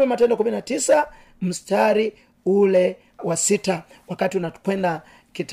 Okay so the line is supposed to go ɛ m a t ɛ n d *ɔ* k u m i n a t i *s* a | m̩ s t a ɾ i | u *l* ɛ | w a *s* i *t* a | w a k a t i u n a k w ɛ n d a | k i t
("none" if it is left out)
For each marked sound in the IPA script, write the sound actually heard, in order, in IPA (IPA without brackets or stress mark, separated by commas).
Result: ɔ, s, l, s, t